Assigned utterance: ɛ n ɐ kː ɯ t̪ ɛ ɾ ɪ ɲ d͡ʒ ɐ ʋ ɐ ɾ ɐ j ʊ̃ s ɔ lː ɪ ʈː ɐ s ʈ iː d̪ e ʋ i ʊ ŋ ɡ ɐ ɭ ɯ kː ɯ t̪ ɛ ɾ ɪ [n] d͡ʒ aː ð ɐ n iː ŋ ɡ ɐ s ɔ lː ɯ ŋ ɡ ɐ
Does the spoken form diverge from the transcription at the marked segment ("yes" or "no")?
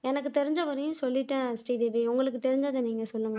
yes